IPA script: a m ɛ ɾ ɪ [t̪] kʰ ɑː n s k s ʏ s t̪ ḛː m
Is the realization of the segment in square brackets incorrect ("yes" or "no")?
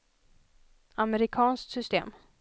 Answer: yes